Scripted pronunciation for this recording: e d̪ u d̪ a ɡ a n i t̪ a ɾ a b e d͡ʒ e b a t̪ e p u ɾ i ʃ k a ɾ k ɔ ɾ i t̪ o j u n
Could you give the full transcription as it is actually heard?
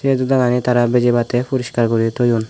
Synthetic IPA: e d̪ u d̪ a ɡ a n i t̪ a ɾ a b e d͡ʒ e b a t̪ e p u ɾ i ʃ k a ɾ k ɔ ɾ i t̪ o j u n